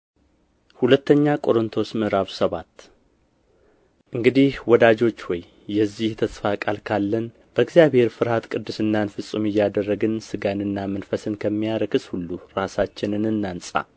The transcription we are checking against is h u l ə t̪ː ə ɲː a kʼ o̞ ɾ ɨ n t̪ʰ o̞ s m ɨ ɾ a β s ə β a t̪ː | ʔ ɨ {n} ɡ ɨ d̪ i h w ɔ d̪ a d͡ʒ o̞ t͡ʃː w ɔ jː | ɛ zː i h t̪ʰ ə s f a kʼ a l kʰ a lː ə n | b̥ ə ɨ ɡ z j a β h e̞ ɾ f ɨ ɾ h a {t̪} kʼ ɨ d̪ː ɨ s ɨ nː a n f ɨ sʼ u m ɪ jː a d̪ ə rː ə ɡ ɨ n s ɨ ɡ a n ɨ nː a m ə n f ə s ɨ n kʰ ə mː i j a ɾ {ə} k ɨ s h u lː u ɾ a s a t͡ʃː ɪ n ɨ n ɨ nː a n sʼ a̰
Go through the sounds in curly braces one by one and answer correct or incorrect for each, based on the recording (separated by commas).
incorrect, correct, correct